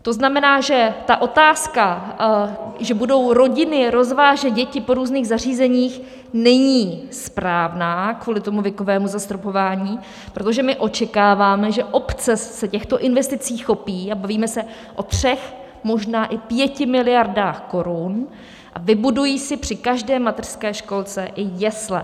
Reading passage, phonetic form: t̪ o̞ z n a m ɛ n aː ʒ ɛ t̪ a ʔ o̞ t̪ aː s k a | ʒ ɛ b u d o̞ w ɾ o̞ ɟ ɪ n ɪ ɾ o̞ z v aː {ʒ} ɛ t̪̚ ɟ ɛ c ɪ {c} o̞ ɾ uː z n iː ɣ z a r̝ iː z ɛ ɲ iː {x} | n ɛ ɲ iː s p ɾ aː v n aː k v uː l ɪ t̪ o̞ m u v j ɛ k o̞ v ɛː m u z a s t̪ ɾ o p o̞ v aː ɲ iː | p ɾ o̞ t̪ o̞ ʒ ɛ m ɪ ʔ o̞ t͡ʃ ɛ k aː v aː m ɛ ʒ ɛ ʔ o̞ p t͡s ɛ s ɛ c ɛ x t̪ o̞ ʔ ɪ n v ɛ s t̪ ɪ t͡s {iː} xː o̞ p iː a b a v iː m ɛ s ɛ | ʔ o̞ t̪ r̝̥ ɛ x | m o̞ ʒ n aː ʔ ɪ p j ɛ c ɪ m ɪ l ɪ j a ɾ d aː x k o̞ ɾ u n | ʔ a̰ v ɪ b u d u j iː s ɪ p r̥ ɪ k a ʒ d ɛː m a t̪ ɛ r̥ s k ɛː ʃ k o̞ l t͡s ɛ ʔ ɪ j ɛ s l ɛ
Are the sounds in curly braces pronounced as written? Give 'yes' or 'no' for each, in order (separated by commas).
yes, no, yes, yes